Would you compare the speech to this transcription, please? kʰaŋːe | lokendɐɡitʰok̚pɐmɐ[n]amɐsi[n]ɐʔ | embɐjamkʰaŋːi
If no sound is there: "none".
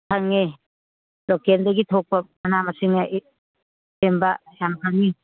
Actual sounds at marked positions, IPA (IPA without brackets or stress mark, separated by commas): n, ŋ